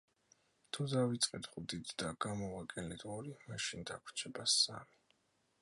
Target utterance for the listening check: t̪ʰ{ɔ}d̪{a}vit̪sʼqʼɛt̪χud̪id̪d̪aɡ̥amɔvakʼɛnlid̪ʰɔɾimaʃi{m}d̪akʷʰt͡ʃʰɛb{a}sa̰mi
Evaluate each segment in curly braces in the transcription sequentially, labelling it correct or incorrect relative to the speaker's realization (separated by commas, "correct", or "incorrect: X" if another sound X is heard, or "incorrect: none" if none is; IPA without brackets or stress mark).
incorrect: u, correct, incorrect: n, correct